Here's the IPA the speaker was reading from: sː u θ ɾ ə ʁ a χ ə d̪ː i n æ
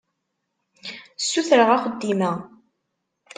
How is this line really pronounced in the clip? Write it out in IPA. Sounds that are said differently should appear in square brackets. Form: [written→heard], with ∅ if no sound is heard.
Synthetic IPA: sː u θ ɾ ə ʁ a χ ə d̪ː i [n→m] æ